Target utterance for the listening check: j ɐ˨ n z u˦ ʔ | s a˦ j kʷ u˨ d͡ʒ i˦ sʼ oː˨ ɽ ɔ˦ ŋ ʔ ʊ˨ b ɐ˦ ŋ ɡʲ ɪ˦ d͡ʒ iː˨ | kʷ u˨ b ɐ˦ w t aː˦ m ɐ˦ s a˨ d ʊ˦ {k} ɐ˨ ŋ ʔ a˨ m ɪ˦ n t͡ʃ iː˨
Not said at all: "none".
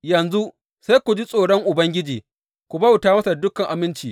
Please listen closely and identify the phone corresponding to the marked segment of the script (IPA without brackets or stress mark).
k